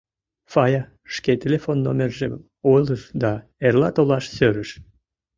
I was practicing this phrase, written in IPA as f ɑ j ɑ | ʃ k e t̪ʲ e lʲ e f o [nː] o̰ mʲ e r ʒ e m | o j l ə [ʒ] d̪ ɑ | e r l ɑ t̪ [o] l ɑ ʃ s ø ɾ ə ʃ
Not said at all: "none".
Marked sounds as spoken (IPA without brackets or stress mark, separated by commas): nː, ʃ, o